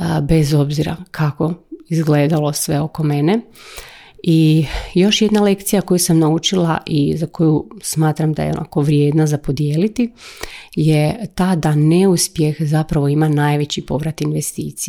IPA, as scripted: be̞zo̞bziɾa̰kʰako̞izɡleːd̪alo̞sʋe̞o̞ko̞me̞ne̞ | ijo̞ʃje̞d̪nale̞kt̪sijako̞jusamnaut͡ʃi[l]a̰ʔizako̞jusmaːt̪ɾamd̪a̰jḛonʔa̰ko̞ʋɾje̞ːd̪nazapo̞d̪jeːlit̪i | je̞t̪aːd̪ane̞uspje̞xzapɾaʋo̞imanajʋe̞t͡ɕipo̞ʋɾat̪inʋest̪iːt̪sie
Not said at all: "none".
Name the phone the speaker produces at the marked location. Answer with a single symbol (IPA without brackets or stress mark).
l